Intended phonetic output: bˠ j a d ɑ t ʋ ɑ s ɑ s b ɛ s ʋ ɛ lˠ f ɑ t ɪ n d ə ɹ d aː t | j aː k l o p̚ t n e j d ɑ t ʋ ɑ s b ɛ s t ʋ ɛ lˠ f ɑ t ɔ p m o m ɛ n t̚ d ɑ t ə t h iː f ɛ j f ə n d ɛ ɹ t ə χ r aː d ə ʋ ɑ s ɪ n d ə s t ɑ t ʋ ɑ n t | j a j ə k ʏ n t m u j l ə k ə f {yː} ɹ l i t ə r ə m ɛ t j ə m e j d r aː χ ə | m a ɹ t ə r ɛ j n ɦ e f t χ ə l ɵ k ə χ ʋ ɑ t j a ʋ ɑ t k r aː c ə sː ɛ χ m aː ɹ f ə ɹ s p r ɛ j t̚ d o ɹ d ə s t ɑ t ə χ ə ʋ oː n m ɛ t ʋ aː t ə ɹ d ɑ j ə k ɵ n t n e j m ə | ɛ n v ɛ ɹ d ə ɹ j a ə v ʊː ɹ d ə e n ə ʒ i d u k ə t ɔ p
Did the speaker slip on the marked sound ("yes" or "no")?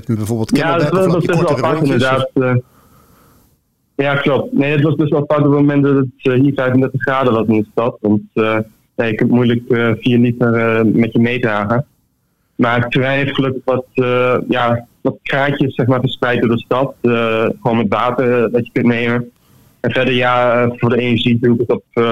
yes